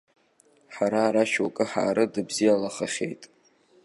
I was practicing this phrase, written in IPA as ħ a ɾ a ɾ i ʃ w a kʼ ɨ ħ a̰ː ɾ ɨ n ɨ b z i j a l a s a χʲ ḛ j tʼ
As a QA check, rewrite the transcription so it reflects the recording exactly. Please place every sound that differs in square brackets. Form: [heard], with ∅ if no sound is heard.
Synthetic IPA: ħ a ɾ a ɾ [a] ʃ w a kʼ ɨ ħ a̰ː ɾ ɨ [d] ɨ b z i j a l a [χ] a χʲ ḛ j tʼ

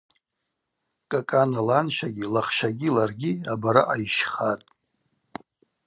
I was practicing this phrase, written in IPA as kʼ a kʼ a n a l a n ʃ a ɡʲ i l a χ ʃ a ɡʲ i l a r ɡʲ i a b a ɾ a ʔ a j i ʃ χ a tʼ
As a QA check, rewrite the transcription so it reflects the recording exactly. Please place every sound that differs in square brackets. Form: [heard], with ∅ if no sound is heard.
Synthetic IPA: kʼ a kʼ a n a l a n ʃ a ɡʲ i l a χ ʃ a ɡʲ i l a r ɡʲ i a b a ɾ a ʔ a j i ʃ χ a tʼ

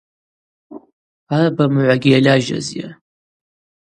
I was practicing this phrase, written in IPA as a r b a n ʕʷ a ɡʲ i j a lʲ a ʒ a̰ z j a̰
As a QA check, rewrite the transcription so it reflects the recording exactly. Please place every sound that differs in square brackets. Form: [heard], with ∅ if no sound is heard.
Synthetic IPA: a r b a [m] ʕʷ a ɡʲ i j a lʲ a ʒ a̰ z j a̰

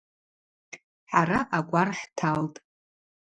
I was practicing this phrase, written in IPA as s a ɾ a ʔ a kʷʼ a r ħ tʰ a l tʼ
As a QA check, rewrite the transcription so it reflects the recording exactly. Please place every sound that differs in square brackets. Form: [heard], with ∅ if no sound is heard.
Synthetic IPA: [ħ] a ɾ a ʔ a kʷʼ a r ħ tʰ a l tʼ

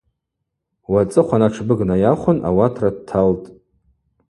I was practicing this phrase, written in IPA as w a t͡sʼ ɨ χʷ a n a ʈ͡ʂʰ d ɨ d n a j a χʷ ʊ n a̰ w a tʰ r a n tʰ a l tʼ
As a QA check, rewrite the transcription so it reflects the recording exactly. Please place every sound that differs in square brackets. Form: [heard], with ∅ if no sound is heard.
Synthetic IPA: w a t͡sʼ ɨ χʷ a n a ʈ͡ʂʰ [b] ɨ [ɡ] n a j a χʷ ʊ n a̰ w a tʰ r a [d] tʰ a l tʼ

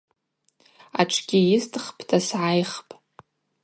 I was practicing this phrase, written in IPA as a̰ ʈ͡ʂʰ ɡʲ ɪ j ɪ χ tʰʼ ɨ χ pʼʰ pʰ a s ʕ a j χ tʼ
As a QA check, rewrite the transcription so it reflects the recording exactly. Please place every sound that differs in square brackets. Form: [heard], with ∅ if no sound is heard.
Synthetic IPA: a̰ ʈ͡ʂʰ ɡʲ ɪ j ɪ [s] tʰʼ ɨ χ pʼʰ [tʰ] a s ʕ a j χ [pʼ]

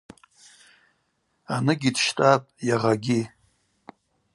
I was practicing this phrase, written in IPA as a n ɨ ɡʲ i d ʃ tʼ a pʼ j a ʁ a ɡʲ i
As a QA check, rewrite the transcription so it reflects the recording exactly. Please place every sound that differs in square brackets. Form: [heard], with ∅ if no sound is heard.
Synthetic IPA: a n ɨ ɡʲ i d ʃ tʼ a pʼ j a ʁ a ɡʲ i

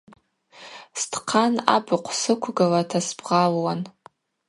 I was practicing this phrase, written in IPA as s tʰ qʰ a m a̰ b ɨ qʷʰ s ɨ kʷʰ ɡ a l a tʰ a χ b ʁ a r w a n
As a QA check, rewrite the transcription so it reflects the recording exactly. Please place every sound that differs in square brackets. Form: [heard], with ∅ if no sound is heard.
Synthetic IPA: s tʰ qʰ a [n] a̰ b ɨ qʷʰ s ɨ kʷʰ ɡ a l a tʰ a [s] b ʁ a [l] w a n

